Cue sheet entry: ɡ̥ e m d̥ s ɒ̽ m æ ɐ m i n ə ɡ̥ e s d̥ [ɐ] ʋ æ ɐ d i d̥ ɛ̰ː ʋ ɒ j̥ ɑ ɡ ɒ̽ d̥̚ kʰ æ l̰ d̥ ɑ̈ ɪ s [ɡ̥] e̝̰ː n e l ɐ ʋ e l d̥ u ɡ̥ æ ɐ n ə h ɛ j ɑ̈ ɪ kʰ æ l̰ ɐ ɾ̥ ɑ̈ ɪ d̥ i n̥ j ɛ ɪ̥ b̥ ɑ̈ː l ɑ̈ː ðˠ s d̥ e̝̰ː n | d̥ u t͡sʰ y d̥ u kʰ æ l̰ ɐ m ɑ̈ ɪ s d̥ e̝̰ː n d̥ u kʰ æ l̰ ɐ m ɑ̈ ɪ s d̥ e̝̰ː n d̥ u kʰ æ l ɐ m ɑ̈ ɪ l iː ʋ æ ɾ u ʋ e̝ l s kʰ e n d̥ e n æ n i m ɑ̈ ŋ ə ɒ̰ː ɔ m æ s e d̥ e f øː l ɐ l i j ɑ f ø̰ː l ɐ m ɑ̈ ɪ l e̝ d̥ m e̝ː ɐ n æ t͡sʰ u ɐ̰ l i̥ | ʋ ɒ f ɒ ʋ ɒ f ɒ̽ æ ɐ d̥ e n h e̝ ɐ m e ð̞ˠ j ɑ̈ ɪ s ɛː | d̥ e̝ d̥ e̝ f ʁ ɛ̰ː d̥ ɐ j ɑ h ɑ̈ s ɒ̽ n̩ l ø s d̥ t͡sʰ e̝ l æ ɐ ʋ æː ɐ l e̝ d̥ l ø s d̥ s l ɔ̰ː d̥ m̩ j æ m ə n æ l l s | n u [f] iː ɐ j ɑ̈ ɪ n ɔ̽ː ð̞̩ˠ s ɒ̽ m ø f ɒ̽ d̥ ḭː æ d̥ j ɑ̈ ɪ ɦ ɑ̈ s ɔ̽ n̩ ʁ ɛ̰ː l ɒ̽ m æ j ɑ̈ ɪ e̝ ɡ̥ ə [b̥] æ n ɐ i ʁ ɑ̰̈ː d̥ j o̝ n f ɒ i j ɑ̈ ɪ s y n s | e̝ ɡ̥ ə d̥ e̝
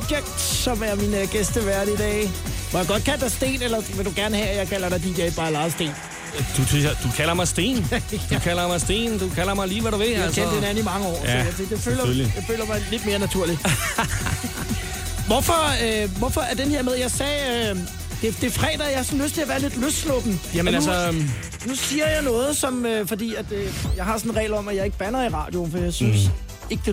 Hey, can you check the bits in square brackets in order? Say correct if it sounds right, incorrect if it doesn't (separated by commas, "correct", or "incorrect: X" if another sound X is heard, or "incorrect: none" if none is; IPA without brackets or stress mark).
incorrect: ə, incorrect: d̥, incorrect: s, correct